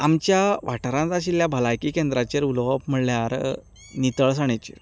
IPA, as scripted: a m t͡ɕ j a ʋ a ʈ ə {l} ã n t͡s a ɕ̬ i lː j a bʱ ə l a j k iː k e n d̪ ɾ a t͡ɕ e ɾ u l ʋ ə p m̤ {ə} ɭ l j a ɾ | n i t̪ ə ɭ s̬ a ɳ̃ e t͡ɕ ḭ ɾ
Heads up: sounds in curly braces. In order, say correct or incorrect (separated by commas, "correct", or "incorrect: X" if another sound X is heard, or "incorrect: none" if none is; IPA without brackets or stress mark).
incorrect: ɾ, correct